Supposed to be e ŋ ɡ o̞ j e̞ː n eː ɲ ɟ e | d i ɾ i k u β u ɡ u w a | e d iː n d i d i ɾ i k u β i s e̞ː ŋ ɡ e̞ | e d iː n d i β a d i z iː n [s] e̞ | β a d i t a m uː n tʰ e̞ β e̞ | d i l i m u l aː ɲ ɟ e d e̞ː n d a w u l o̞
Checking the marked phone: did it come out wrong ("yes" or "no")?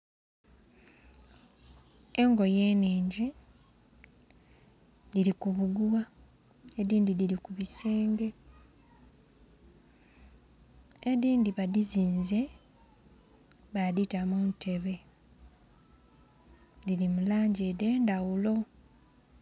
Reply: yes